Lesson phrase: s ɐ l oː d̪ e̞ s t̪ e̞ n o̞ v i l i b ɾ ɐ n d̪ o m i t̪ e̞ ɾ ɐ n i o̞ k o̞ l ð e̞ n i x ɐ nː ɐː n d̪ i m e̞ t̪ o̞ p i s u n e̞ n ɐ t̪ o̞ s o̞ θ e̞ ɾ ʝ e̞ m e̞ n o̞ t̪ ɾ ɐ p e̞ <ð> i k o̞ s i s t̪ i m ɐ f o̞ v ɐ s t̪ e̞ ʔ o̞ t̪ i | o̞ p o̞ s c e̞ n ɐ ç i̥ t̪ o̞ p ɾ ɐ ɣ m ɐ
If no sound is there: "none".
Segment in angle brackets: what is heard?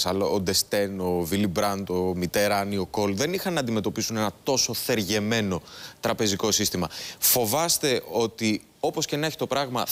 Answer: z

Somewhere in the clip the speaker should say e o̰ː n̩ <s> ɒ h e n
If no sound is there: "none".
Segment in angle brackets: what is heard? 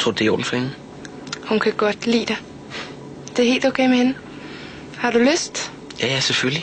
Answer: f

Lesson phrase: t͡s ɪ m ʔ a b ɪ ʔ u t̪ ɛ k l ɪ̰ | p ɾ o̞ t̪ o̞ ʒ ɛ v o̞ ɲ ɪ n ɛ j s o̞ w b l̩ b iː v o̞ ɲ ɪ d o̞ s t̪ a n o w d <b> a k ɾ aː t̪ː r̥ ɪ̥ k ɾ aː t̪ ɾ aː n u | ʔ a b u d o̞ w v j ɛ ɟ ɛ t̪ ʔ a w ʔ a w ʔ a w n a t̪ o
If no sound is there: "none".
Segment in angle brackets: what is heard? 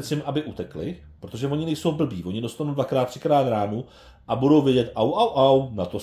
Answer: v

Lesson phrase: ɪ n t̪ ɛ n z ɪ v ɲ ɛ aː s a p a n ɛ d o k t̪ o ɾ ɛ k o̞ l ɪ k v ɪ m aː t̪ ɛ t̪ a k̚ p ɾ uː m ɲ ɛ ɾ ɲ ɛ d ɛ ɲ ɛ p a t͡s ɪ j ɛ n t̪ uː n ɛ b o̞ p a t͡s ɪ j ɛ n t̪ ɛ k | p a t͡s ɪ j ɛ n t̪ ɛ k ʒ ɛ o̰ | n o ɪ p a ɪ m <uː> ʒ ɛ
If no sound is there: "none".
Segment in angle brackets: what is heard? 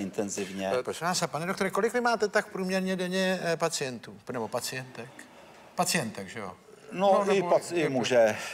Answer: u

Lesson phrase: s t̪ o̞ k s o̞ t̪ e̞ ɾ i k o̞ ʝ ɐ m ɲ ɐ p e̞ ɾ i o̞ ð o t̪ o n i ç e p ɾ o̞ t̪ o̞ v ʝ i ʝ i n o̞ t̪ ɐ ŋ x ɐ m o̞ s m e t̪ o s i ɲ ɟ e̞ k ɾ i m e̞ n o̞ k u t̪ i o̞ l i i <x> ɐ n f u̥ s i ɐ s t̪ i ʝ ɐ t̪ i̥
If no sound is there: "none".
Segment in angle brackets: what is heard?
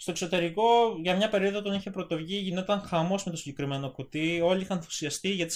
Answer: x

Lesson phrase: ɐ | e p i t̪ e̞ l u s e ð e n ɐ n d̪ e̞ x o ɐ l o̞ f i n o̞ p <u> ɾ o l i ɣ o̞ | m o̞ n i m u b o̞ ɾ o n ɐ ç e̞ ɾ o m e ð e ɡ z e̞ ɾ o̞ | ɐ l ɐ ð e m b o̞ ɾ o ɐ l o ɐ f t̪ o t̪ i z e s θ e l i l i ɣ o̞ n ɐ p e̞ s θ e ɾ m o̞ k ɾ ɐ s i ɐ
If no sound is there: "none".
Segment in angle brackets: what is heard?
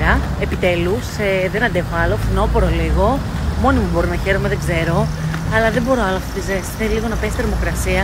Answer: o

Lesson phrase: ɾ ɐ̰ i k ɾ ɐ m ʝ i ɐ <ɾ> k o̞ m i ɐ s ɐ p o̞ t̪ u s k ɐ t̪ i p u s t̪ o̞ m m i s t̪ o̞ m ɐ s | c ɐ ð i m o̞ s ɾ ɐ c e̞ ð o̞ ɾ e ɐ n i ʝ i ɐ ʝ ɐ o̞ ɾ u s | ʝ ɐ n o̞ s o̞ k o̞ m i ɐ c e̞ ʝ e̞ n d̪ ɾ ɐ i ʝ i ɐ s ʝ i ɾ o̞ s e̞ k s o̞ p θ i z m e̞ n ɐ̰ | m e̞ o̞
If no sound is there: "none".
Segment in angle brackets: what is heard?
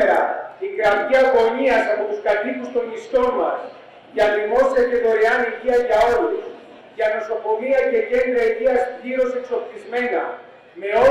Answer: none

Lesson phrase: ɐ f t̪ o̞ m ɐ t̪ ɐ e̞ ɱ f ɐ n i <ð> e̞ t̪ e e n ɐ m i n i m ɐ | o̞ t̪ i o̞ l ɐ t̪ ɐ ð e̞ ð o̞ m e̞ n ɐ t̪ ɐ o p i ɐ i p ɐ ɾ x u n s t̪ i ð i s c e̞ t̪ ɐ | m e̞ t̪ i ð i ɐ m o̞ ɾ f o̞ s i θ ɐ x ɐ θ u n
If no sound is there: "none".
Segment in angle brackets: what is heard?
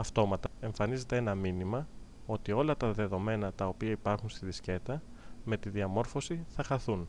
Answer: z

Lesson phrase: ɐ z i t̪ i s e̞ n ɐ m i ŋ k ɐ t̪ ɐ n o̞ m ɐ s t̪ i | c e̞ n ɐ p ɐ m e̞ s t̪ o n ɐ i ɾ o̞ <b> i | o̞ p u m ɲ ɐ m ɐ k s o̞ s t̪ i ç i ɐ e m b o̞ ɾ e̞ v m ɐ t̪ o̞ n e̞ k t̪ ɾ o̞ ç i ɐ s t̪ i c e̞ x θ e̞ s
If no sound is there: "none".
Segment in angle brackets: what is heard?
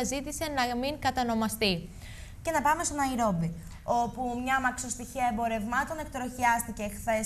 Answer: b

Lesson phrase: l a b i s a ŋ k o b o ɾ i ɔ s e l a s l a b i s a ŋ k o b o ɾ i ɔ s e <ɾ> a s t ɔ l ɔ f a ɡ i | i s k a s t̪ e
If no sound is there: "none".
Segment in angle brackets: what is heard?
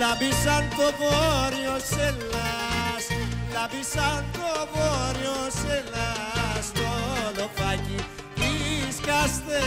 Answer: l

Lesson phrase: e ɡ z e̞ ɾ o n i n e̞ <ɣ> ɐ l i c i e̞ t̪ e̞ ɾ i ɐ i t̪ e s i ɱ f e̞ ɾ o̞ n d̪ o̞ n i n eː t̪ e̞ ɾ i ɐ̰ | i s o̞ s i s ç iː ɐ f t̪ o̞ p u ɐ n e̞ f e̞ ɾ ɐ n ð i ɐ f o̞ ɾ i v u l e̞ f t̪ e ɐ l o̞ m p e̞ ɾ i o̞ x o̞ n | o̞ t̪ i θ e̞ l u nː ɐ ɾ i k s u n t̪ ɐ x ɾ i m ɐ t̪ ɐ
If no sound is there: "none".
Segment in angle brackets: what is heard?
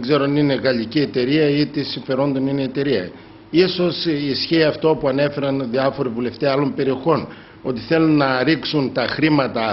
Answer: ɣ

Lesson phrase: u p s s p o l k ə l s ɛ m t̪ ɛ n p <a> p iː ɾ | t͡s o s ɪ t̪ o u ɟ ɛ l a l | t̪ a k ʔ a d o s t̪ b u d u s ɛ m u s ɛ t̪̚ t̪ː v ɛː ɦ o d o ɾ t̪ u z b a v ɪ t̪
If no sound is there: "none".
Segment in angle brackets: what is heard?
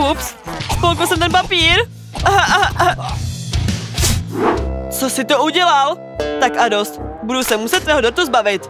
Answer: a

